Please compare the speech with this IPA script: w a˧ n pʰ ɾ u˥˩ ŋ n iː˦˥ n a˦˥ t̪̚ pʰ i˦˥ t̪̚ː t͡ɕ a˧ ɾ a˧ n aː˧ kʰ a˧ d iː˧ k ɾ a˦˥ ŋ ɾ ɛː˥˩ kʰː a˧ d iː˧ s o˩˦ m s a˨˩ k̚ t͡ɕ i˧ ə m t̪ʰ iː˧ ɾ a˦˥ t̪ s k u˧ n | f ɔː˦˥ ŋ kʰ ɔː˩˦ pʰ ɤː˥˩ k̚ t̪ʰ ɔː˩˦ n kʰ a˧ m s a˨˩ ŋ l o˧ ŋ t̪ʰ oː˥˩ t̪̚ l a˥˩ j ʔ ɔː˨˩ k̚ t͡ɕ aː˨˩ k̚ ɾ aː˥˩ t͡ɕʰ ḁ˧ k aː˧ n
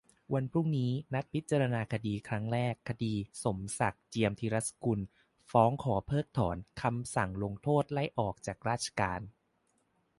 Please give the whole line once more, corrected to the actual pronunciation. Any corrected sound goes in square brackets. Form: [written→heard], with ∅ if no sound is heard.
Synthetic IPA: w a˧ n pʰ ɾ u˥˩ ŋ n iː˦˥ n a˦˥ t̪̚ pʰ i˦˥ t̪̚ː t͡ɕ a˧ ɾ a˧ n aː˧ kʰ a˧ d iː˧ [k→kʰ] ɾ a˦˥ ŋ ɾ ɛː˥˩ kʰː a˧ d iː˧ s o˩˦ m s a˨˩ k̚ t͡ɕ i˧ ə m t̪ʰ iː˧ ɾ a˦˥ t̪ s k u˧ n | f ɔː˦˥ ŋ kʰ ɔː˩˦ pʰ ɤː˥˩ k̚ t̪ʰ ɔː˩˦ n kʰ a˧ m s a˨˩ ŋ l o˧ ŋ t̪ʰ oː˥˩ t̪̚ l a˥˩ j ʔ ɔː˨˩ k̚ t͡ɕ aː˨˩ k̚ ɾ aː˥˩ t͡ɕʰ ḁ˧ k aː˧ n